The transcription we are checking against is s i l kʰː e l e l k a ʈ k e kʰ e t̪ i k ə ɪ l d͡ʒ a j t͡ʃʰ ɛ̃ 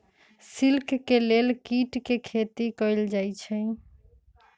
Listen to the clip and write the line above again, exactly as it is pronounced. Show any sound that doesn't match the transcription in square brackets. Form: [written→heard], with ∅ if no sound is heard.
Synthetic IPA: s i l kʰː e l e l k [a→i] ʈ k e kʰ e t̪ i k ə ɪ l d͡ʒ a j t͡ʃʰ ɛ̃